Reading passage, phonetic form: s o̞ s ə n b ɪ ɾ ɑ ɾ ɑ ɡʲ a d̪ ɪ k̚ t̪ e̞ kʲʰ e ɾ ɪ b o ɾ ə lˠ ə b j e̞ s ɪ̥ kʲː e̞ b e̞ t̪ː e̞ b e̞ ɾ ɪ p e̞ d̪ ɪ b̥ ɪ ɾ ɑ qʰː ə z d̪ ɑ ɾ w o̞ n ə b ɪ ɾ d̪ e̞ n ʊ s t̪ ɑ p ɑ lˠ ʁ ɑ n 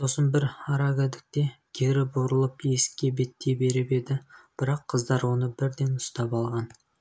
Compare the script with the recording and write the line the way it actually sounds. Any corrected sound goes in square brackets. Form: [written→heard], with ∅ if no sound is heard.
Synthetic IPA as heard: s o̞ s ə n b ɪ ɾ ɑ ɾ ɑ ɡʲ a d̪ ɪ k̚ t̪ e̞ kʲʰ e ɾ ɪ b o ɾ ə lˠ ə [b→p] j e̞ s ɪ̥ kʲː e̞ b e̞ t̪ː e̞ b e̞ ɾ ɪ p e̞ d̪ ɪ b̥ ɪ ɾ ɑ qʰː ə z d̪ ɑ ɾ w o̞ n ə b ɪ ɾ d̪ e̞ n ʊ s t̪ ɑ p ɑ lˠ ʁ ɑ n